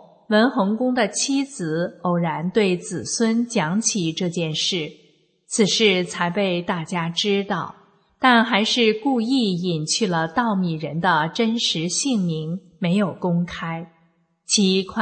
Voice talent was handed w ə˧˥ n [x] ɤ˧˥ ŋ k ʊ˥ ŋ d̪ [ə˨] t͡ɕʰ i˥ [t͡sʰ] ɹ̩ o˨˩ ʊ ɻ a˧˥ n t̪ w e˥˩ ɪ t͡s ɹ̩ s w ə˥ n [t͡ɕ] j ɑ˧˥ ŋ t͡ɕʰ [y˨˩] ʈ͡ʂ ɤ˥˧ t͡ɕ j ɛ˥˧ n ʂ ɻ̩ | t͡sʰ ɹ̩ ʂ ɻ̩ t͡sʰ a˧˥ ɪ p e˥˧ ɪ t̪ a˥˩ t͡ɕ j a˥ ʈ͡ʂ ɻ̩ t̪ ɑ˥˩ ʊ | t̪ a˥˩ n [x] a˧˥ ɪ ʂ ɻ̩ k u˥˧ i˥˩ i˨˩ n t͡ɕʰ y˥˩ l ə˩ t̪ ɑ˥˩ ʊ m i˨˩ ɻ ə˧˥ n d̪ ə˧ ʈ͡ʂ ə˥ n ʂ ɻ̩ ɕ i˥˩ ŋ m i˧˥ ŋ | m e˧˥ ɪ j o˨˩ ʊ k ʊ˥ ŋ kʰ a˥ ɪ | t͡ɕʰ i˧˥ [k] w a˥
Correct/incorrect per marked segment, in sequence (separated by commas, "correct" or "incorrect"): correct, correct, incorrect, correct, incorrect, correct, incorrect